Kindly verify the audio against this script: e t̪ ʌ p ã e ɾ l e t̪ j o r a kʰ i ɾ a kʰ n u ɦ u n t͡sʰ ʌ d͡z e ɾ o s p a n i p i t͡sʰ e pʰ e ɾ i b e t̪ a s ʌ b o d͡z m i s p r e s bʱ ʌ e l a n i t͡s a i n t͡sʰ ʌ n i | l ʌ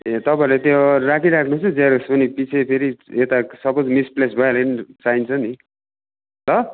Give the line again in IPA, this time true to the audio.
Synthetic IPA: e t̪ ʌ p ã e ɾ l e t̪ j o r a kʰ i ɾ a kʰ n u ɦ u n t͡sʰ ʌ d͡z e ɾ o s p ʌ n i p i t͡sʰ e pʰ e ɾ i e t̪ a s ʌ b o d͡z m i s p l e s bʱ ʌ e l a n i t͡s a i n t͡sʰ ʌ n i | l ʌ